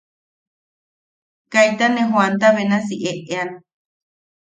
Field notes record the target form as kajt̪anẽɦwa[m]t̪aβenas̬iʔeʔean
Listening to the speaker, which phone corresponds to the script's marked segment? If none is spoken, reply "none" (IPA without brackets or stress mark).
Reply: n